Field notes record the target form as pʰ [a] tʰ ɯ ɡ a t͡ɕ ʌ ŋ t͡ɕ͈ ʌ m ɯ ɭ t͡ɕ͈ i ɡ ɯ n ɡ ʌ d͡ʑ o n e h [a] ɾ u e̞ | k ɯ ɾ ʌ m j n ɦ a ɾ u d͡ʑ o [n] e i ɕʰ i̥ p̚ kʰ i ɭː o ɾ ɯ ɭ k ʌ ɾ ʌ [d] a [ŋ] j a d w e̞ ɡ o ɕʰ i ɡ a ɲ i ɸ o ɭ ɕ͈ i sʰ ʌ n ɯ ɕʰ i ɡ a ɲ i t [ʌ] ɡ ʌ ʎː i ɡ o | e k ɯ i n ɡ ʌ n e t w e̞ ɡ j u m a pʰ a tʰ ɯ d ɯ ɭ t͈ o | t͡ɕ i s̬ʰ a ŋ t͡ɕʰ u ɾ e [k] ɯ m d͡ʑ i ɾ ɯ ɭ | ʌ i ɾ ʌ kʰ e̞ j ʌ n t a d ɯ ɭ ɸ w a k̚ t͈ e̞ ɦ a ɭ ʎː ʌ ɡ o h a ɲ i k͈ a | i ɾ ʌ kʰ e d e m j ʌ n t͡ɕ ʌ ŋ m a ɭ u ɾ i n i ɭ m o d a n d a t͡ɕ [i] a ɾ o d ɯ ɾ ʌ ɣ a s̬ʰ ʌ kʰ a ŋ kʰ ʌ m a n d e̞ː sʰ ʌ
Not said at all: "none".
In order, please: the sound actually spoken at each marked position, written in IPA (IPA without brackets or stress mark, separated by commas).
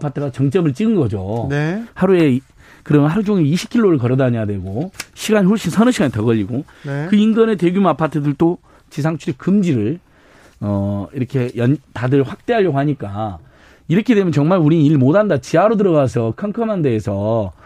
a, a, ŋ, d, ɲ, ʌ, k, i